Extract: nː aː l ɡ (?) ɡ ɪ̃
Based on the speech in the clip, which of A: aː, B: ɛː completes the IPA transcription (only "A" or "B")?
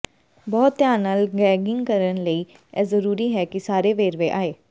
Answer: B